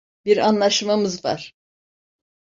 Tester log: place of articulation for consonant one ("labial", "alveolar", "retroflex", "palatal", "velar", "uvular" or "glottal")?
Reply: labial